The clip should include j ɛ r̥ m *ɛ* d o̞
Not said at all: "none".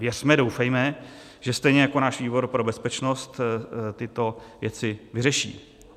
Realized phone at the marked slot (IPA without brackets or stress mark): ɛ